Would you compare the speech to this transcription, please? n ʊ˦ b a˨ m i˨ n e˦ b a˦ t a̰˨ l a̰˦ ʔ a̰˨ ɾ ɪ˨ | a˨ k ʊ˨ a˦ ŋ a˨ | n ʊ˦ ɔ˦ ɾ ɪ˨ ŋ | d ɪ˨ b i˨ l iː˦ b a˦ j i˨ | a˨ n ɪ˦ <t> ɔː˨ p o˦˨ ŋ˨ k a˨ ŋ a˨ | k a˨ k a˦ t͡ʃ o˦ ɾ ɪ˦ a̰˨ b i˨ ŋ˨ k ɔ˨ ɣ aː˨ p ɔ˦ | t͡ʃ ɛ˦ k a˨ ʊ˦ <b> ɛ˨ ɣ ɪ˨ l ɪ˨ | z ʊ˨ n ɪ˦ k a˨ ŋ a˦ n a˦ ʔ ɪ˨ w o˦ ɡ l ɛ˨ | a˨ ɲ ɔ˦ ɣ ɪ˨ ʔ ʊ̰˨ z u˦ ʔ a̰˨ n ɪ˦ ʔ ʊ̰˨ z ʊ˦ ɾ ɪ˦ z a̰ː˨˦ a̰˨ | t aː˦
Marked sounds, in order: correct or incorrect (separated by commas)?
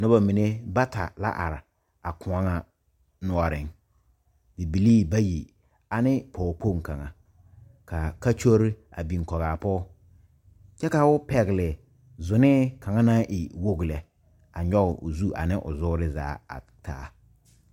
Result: incorrect, incorrect